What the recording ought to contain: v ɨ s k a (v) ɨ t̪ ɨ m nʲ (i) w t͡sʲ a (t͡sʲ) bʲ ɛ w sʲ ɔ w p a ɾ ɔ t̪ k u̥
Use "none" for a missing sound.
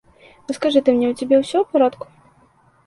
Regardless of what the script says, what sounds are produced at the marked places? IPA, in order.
ʐ, ɛ, none

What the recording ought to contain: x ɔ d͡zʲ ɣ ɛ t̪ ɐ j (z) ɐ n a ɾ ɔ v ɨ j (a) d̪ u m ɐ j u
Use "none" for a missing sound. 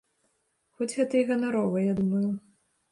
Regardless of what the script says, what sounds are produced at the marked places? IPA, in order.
ɣ, a

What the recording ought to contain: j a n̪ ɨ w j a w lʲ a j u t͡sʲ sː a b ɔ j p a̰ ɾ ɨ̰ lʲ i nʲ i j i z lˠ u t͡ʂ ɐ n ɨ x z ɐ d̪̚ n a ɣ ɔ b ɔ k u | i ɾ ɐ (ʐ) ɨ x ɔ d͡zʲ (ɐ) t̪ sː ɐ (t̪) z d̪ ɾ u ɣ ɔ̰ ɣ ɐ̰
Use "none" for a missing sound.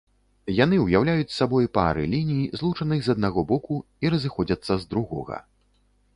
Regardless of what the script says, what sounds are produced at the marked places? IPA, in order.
z, ɐ, none

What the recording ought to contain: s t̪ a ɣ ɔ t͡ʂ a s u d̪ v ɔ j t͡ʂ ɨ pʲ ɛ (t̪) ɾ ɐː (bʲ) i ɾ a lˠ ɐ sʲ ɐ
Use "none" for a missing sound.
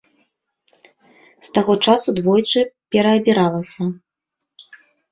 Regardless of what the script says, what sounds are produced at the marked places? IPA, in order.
none, bʲ

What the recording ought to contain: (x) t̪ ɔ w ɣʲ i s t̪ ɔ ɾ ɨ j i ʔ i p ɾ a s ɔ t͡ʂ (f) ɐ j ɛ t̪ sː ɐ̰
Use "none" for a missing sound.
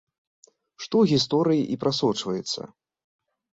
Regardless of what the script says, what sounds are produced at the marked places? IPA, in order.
ʂ, v

